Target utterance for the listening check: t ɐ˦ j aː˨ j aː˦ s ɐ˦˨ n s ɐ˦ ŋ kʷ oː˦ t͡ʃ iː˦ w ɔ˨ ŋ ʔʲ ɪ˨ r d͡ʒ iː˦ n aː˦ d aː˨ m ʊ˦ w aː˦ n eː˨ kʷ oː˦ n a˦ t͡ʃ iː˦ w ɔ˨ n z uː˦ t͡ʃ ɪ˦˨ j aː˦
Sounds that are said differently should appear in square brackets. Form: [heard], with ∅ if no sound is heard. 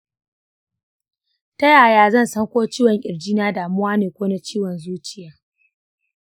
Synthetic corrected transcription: t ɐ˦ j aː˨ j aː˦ [z] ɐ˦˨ n s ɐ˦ ŋ kʷ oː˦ t͡ʃ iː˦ w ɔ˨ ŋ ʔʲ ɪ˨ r d͡ʒ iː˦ n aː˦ d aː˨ m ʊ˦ w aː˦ n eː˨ kʷ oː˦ n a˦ t͡ʃ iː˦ w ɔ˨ n z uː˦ t͡ʃ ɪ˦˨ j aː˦